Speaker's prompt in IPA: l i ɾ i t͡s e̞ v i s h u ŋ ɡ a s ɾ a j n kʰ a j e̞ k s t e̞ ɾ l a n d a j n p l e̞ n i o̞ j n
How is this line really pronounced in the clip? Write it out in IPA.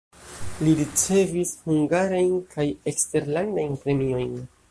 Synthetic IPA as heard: l i ɾ i t͡s e̞ v i s h u ŋ ɡ a ɾ a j n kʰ a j e̞ k s t e̞ ɾ l a n d a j n p ɾ e̞ m i o̞ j n